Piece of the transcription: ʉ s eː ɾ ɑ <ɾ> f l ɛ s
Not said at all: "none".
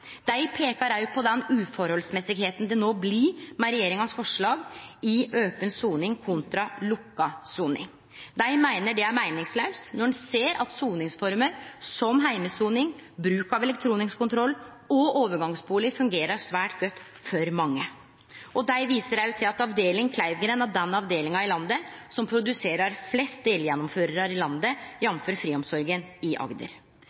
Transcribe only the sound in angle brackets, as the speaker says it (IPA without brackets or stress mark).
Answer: ɾ